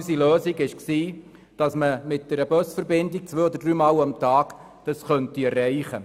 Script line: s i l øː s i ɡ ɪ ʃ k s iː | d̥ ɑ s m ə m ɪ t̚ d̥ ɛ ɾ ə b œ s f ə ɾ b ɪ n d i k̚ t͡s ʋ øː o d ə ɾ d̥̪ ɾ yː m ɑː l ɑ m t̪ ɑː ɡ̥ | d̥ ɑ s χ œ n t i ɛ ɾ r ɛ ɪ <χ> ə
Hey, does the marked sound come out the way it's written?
yes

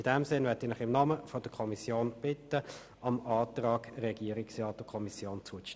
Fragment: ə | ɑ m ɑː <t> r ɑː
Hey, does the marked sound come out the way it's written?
yes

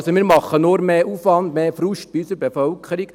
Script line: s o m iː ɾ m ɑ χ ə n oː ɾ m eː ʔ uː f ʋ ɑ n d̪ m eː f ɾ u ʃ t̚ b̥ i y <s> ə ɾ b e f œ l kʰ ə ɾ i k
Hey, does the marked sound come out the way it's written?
yes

